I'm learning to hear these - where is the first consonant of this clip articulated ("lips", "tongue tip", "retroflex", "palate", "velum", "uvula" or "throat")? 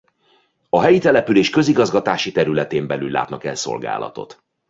throat